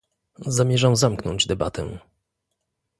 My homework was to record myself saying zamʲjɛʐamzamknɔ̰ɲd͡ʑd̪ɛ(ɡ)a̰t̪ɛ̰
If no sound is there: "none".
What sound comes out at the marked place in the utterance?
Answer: b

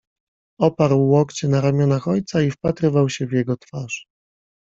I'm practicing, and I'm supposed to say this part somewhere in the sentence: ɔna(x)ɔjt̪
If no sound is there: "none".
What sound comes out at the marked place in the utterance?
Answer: x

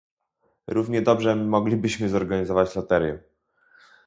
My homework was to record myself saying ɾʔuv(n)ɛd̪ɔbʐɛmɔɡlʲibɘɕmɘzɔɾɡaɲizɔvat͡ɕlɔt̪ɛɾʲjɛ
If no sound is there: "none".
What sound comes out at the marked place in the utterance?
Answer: ɲ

